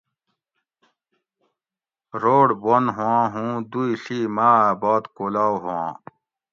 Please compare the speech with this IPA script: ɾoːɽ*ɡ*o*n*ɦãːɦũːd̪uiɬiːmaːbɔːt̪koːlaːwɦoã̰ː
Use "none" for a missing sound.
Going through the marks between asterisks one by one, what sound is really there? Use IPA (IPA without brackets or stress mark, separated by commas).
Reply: b, n